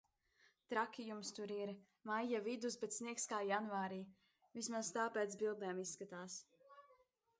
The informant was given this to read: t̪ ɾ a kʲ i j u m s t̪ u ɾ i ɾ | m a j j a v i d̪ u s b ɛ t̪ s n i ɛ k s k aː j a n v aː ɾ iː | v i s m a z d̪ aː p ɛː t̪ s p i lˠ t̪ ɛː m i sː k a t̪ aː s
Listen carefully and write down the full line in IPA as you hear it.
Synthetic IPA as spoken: t̪ ɾ a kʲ i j u m s t̪ u ɾ i ɾ | m a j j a v i d̪ u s b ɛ t̪ s n i ɛ k s k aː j a n v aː ɾ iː | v i s m a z t̪ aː p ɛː t̪ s b i lˠ d̪ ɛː m i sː k a t̪ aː s